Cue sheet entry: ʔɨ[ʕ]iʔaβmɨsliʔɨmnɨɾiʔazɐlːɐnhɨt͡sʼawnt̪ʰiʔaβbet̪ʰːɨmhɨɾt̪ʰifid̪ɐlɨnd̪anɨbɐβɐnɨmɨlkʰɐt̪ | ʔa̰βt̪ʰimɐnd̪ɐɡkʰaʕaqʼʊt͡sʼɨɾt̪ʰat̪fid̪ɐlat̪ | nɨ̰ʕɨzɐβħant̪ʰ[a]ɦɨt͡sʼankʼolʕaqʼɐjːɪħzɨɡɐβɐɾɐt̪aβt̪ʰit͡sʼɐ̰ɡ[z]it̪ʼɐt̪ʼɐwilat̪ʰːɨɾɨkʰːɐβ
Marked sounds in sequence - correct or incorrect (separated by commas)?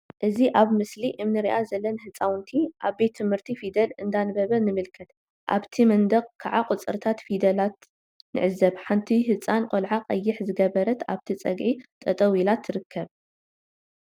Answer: incorrect, incorrect, incorrect